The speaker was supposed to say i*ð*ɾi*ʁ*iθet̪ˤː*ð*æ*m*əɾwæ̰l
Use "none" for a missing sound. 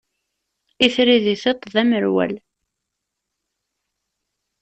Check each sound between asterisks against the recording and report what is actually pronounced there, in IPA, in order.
θ, ð, ð, m

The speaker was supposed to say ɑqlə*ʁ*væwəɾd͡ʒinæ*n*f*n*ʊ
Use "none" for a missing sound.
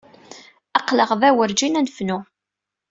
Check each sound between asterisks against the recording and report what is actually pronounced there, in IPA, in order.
ʁ, n, n

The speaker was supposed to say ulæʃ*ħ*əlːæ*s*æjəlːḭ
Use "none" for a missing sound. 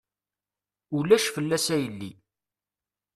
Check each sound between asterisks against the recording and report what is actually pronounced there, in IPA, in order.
f, s

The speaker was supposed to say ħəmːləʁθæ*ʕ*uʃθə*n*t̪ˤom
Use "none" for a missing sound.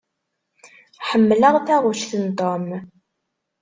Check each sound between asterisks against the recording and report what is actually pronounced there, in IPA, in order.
ʁ, n

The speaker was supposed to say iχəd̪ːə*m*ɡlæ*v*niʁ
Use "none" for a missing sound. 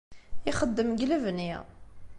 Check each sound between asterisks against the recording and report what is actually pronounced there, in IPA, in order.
m, v

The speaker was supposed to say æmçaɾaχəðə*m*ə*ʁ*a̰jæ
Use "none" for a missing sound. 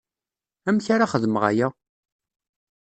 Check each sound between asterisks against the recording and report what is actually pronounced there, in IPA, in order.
m, ʁ

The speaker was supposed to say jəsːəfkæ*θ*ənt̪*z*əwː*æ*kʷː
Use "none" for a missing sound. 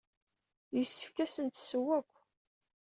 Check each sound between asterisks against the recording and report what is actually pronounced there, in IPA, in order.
s, s, æ

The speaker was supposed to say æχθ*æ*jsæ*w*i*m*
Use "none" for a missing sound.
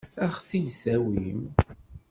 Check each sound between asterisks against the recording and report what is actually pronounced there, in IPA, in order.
i, w, m

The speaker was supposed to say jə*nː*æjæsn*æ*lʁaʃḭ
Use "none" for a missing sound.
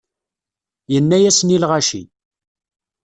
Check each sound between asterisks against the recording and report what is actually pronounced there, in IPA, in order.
nː, i

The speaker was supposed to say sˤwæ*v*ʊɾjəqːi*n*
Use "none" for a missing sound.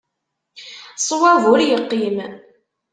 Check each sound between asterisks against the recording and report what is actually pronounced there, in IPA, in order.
v, m

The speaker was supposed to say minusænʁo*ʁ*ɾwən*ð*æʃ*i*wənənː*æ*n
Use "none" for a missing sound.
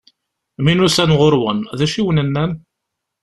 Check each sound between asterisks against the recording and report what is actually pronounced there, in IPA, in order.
none, ð, i, æ

